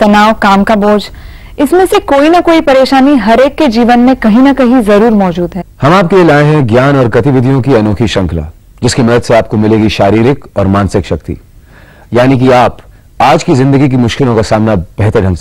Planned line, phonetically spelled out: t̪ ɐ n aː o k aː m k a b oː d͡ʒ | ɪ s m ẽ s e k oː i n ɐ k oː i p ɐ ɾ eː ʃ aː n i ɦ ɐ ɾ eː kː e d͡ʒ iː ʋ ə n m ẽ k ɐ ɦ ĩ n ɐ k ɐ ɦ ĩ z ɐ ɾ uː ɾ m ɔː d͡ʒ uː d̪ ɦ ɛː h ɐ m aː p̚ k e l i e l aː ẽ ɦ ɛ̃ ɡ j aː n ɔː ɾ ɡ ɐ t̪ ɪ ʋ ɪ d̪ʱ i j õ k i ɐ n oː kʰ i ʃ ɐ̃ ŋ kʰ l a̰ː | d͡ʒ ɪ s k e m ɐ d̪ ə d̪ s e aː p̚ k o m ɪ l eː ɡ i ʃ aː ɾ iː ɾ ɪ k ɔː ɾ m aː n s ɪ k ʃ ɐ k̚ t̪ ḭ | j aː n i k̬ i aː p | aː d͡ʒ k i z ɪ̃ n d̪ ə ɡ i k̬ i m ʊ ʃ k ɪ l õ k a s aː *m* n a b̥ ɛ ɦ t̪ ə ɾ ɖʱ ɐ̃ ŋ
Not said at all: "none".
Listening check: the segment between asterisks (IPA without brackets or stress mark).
m